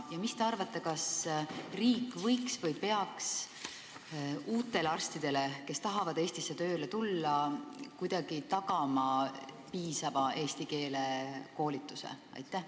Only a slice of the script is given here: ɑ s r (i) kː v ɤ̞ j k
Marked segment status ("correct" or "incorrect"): incorrect